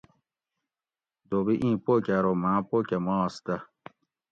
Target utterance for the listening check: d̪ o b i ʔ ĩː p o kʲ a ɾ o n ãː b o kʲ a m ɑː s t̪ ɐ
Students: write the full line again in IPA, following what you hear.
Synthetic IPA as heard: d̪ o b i ʔ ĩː p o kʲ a ɾ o m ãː p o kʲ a m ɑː s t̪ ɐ